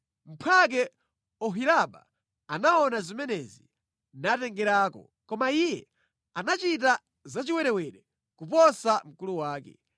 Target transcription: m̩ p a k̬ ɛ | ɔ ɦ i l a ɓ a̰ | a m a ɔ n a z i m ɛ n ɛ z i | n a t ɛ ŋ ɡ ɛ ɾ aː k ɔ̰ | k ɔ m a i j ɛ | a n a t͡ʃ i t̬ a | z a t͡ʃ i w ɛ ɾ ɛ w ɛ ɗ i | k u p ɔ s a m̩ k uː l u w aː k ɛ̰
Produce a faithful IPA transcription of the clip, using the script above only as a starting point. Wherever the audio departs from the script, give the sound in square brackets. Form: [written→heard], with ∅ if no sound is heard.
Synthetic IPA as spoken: m̩ [p→pʰ] a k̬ ɛ | ɔ ɦ i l a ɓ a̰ | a [m→n] a ɔ n a z i m ɛ n ɛ z i | n a t ɛ ŋ ɡ ɛ ɾ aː k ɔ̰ | k ɔ m a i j ɛ | a n a t͡ʃ i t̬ a | z a t͡ʃ i w ɛ ɾ ɛ w ɛ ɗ [i→ɛ] | k u p ɔ s a m̩ k [uː→u] l u w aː k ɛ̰